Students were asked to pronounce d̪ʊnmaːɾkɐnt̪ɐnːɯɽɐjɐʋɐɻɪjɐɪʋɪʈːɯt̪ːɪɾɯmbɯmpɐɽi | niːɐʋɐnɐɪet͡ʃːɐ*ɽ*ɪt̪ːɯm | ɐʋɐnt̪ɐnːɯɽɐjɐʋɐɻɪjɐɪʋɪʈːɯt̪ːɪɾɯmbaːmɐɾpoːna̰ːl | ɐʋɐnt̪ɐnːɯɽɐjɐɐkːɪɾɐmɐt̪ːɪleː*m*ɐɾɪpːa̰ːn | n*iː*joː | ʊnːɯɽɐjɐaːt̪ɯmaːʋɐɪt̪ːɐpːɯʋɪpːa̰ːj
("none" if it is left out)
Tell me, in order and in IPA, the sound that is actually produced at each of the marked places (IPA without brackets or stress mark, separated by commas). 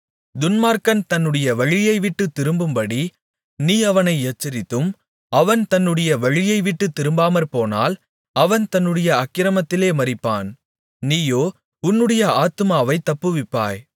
ɾ, m, iː